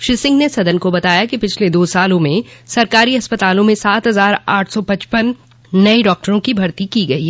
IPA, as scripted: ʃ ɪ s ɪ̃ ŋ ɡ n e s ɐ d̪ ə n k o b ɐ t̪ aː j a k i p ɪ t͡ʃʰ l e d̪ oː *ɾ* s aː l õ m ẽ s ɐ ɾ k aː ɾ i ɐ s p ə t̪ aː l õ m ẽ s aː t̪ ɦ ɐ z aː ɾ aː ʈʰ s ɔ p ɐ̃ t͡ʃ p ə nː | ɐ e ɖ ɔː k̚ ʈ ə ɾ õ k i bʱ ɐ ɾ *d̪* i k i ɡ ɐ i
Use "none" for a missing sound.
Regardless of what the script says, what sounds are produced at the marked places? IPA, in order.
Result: none, t̪

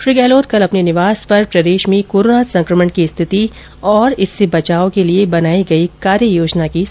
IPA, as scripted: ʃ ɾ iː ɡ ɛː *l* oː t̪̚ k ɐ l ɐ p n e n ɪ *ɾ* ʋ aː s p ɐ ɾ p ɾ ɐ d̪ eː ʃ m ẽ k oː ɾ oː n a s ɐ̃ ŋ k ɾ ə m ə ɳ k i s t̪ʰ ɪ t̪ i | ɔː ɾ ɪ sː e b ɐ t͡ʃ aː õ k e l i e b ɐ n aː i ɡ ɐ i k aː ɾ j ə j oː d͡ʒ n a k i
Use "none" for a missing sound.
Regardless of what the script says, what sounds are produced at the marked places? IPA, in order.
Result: l, none

